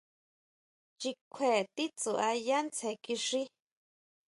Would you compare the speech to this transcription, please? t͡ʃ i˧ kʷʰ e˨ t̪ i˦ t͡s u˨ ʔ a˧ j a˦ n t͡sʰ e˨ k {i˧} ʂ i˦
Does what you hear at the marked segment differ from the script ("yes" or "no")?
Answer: no